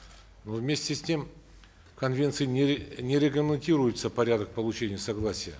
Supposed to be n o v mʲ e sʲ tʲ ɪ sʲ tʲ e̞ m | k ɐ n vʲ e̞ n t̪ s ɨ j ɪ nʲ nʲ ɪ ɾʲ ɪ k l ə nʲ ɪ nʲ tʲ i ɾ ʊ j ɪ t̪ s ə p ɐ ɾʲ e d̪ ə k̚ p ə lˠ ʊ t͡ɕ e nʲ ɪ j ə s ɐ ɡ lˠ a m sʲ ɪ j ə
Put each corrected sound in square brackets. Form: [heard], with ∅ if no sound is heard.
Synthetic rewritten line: n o v mʲ e sʲ tʲ ɪ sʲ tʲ e̞ m | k ɐ n vʲ e̞ n t̪ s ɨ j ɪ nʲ nʲ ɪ ɾʲ ɪ k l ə [mʲ] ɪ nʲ tʲ i ɾ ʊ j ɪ t̪ s ə p ɐ ɾʲ [a] d̪ ə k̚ p ə lˠ ʊ t͡ɕ e nʲ ɪ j ə s ɐ ɡ lˠ a [∅] sʲ ɪ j ə

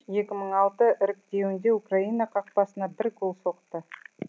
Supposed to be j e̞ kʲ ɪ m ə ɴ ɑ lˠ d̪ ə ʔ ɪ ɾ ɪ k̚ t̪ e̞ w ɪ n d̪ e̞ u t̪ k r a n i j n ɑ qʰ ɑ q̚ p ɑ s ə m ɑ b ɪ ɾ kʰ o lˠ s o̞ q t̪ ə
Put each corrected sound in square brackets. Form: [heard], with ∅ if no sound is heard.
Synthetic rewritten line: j e̞ kʲ ɪ m ə ɴ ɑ lˠ [t̪] ə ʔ ɪ ɾ ɪ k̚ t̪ e̞ w ɪ n d̪ e̞ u [∅] k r a [∅] i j n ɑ qʰ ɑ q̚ p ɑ s ə [n] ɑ b ɪ ɾ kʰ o lˠ s o̞ q t̪ ə

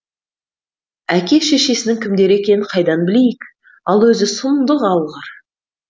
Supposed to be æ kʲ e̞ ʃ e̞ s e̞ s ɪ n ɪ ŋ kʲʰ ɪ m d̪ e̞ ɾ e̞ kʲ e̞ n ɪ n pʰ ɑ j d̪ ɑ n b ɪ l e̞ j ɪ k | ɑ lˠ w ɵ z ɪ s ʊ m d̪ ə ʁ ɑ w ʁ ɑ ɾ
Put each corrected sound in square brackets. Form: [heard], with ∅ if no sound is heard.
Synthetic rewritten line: æ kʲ e̞ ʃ e̞ [ʃ] e̞ s ɪ n ɪ ŋ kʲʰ ɪ m d̪ e̞ ɾ e̞ kʲ e̞ n ɪ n [qʰ] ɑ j d̪ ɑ n b ɪ l e̞ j ɪ k | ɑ lˠ w ɵ z ɪ s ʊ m d̪ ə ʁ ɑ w ʁ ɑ ɾ

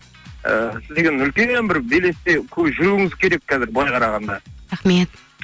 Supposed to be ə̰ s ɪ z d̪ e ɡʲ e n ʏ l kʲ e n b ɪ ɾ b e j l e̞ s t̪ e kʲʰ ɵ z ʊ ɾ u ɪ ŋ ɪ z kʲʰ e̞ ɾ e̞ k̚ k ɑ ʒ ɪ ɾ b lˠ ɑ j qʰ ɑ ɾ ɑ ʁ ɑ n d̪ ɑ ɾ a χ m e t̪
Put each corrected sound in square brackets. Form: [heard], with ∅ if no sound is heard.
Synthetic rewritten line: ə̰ s ɪ z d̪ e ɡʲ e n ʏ l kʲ e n b ɪ ɾ b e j l e̞ s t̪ e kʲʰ ɵ [ʒ] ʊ ɾ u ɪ ŋ ɪ z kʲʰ e̞ ɾ e̞ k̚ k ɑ [z] ɪ ɾ b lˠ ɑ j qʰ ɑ ɾ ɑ ʁ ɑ n d̪ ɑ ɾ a χ m e t̪

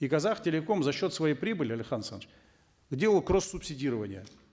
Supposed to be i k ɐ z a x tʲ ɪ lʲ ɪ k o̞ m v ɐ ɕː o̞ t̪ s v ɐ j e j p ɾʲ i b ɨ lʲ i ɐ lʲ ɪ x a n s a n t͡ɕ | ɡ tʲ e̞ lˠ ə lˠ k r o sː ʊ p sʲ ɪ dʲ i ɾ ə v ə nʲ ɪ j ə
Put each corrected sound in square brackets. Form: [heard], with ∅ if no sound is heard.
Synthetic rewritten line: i k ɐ z a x tʲ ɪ lʲ ɪ k o̞ m [z] ɐ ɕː o̞ t̪ s v ɐ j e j p ɾʲ i b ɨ lʲ [ɪ] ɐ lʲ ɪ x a n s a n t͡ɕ | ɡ [dʲ] e̞ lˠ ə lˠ k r o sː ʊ p sʲ ɪ dʲ i ɾ ə v ə nʲ ɪ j ə

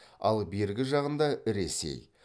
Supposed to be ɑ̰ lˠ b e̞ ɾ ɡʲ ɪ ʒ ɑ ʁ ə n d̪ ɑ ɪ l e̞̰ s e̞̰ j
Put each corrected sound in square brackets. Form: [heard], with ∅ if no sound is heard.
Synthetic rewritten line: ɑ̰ lˠ b e̞ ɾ ɡʲ ɪ ʒ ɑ ʁ ə n d̪ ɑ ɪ [ɾ] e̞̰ s e̞̰ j

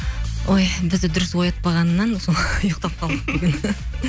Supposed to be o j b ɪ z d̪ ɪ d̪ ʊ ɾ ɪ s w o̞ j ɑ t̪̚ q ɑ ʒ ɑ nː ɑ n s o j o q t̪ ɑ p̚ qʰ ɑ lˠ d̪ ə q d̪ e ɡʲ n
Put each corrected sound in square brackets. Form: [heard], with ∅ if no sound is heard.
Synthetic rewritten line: o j b ɪ z d̪ ɪ d̪ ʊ ɾ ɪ s w o̞ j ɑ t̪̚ [p] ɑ [ʁ] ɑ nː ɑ n s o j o q t̪ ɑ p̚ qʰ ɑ lˠ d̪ ə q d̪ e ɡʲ n

